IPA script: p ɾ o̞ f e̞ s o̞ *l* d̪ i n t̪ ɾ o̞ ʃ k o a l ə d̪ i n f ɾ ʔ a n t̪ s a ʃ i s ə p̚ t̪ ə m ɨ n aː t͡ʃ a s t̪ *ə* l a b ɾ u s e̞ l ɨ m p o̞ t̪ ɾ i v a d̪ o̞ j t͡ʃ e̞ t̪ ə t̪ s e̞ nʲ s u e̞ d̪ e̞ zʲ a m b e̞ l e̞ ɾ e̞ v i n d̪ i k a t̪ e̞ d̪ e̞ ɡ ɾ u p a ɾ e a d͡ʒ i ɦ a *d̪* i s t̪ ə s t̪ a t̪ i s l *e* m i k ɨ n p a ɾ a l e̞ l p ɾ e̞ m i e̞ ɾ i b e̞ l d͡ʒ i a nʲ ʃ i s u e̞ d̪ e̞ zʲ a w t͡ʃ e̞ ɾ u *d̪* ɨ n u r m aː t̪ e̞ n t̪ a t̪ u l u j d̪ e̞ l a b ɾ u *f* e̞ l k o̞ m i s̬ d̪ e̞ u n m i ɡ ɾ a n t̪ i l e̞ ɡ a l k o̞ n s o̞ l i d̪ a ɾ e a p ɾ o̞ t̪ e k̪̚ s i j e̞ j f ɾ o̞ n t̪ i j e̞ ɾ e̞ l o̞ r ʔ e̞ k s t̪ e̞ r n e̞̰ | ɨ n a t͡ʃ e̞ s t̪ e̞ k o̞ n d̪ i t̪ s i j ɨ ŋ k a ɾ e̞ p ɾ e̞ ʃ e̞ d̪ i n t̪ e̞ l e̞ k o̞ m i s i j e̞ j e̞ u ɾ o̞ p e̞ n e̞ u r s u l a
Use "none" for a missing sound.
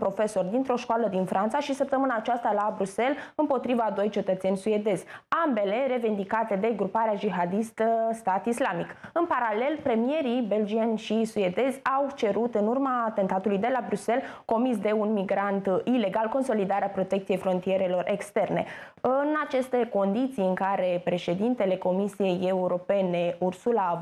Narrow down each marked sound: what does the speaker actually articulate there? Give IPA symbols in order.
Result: r, a, d̪, a, t̪, s

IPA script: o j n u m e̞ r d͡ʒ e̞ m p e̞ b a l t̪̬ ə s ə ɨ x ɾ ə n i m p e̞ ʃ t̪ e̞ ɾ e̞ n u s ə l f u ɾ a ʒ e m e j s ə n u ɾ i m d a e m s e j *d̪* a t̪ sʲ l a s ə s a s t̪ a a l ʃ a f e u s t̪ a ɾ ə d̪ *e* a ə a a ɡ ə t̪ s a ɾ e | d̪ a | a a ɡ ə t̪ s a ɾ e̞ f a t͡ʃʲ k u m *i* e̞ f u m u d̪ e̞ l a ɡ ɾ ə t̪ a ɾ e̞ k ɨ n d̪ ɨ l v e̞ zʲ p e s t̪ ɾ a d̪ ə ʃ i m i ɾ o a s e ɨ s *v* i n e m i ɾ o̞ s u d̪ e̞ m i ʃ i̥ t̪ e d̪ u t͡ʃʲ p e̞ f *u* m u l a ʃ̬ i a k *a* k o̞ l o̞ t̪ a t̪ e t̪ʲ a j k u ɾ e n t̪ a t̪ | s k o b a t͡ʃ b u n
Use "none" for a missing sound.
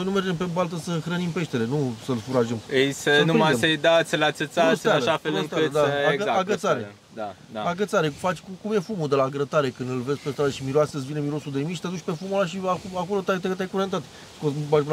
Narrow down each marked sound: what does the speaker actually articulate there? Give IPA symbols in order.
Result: d̪, a, j, v, u, a

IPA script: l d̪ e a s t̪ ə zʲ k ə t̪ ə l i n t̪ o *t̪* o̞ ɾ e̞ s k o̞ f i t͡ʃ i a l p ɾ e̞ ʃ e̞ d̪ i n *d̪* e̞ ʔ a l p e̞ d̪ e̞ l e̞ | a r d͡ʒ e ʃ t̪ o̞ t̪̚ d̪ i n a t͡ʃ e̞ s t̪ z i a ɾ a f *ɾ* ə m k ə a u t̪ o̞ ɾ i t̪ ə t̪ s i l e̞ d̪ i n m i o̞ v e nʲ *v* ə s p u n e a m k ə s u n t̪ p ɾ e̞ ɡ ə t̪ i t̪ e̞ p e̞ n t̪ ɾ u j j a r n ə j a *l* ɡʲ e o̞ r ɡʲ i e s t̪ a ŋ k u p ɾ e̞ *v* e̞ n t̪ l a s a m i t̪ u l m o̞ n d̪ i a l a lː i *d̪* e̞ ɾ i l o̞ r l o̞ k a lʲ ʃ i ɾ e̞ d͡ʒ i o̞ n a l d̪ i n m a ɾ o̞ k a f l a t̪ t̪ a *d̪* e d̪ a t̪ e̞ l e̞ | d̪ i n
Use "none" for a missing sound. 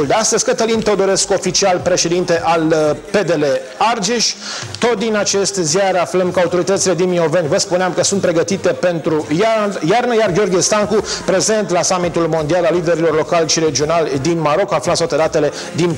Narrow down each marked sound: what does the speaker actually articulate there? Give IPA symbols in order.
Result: d̪, t̪, l, v, r, z, d̪, t̪

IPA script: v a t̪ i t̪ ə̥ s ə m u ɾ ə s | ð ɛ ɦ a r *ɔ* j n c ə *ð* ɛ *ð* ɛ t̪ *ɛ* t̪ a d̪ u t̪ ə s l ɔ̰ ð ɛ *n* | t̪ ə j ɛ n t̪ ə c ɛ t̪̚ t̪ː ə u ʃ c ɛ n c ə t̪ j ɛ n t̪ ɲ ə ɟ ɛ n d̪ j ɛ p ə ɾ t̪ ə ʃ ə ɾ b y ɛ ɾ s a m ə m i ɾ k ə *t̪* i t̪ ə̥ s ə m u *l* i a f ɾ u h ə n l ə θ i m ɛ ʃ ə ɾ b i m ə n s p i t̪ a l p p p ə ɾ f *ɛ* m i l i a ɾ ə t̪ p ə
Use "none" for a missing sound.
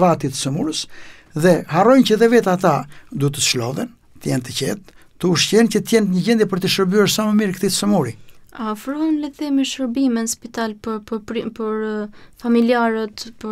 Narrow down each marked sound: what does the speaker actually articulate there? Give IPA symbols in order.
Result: ɔ, ð, v, a, n, t̪, ɾ, a

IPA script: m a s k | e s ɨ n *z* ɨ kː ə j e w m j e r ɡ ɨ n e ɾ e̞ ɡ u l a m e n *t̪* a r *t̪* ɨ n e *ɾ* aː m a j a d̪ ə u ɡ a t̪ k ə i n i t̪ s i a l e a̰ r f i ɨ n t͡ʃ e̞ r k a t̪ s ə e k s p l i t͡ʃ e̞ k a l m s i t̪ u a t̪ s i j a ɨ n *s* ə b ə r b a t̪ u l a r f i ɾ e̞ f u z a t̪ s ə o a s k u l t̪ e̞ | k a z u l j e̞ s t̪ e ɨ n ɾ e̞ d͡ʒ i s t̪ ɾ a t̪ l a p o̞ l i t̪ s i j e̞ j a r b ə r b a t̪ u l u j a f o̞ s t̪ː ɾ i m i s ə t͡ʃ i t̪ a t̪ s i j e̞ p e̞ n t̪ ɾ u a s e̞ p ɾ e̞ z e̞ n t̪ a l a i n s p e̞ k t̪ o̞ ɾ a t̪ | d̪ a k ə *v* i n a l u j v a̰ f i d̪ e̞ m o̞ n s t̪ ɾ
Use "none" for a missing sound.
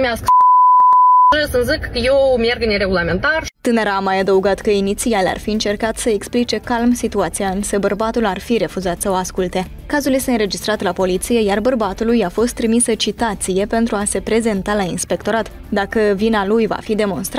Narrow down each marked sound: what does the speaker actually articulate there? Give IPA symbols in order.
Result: z, t̪, t̪, ɾ, s, v

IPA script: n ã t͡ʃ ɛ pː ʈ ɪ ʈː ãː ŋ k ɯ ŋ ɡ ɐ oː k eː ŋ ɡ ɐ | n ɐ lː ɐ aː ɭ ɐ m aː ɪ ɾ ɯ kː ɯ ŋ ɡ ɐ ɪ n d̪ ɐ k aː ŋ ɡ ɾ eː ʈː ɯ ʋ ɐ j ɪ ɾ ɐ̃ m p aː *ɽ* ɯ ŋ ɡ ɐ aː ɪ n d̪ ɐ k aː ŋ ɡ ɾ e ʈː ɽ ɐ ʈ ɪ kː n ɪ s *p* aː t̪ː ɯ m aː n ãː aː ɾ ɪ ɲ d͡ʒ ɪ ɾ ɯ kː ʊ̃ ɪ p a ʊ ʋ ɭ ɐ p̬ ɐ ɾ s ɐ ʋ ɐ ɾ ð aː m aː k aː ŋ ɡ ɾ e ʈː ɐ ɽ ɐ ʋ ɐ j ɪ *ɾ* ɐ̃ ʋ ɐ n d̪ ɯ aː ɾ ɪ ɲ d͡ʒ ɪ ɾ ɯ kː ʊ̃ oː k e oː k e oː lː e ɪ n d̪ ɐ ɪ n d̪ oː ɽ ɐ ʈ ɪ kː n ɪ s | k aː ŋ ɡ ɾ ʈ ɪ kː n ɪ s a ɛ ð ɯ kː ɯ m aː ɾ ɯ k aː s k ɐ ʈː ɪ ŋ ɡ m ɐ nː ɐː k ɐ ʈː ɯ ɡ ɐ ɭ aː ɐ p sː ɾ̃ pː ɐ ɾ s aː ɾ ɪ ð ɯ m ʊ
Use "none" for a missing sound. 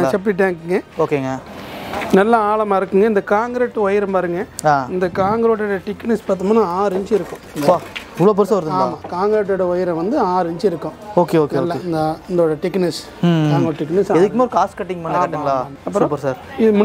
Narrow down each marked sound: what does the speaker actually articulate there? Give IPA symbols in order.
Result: ɾ, p, ɾ

